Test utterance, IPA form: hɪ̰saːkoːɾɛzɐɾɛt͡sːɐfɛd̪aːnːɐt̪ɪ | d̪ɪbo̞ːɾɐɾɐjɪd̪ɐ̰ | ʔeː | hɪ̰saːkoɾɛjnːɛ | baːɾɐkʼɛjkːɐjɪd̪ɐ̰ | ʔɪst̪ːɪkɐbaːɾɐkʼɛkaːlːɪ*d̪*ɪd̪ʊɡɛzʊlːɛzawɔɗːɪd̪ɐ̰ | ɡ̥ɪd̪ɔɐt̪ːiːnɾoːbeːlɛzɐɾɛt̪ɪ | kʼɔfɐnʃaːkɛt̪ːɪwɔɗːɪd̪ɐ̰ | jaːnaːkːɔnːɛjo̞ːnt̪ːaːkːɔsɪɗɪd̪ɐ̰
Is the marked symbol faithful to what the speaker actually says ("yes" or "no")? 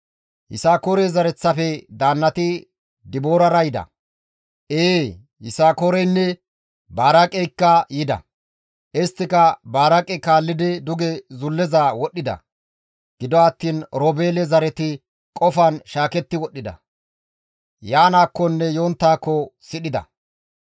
yes